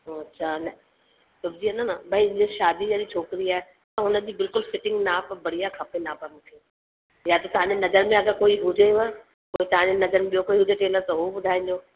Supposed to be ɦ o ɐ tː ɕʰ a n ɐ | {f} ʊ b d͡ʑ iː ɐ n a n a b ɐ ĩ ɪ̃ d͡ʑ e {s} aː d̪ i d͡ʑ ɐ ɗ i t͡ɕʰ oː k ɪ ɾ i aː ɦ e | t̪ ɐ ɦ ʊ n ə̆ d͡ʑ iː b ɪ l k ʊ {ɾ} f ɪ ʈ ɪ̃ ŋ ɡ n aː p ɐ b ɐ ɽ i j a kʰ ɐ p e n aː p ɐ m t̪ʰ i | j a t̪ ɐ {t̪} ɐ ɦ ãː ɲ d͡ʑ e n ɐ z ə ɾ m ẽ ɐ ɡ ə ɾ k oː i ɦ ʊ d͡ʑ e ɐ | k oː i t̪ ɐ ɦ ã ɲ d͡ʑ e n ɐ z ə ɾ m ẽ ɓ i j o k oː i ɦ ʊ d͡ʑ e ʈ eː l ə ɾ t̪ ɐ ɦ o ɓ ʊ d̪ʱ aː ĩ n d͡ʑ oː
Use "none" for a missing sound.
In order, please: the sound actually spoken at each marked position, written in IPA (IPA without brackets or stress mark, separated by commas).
s, ʃ, l, t̪